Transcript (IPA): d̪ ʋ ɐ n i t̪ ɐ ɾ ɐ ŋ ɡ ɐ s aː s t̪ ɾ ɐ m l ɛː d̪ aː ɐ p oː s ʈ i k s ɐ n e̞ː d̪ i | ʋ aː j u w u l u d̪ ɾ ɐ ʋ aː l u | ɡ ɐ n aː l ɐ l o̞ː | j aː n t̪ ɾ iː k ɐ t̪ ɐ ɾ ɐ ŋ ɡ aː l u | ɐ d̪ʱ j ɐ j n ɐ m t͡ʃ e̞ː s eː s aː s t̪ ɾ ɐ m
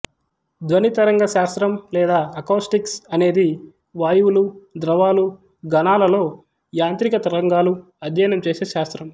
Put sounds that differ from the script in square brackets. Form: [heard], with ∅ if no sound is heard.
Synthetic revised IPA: d̪ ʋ ɐ n i t̪ ɐ ɾ ɐ ŋ ɡ ɐ [ʃ] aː s t̪ ɾ ɐ m l ɛː d̪ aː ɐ [k] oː s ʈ i k s ɐ n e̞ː d̪ i | ʋ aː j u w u l u d̪ ɾ ɐ ʋ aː l u | ɡ ɐ n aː l ɐ l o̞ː | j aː n t̪ ɾ [i] k ɐ t̪ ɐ ɾ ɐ ŋ ɡ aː l u | ɐ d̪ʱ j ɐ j n ɐ m t͡ʃ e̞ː s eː [ʃ] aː s t̪ ɾ ɐ m